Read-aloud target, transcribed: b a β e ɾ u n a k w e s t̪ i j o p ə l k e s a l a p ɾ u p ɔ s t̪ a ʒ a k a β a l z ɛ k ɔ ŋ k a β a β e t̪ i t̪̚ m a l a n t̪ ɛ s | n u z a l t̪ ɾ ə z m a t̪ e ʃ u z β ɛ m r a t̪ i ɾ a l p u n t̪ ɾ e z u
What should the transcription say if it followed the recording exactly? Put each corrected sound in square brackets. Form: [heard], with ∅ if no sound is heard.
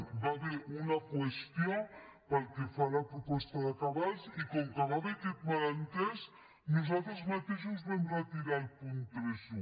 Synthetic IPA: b a β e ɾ u n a k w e s t̪ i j o p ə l k e [f] a l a p ɾ u p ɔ s t̪ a [ð] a k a β a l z [i] k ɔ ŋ k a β a β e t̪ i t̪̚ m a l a n t̪ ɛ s | n u z a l t̪ ɾ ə z m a t̪ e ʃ u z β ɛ m r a t̪ i ɾ a l p u n t̪ ɾ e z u